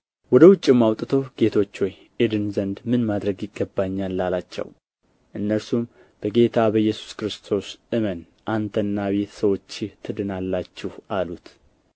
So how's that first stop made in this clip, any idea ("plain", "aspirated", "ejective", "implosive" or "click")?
plain